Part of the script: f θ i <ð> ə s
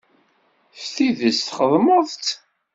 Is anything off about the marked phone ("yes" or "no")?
no